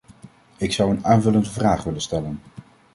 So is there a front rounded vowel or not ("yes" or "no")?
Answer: no